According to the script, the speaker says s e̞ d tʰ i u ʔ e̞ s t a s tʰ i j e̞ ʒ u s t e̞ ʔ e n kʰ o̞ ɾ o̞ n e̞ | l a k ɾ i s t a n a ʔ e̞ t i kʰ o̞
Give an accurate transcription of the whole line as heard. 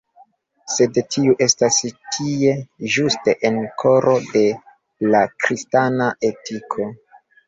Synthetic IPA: s e̞ d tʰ i u ʔ e̞ s t a s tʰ i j e̞ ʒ u s t e̞ ʔ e n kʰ o̞ ɾ o̞ d e̞ | l a k ɾ i s t a n a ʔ e̞ t i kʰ o̞